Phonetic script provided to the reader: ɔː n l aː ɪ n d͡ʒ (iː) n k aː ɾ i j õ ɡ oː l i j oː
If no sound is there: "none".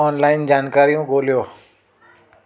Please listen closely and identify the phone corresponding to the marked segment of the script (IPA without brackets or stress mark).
aː